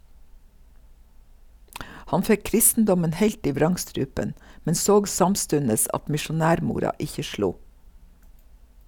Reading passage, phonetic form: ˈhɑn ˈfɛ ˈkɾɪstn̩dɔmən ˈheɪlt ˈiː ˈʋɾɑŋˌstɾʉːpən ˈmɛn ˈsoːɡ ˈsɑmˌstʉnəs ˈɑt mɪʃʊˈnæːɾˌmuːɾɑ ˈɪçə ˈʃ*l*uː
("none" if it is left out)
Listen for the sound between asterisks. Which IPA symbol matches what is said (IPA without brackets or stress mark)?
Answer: l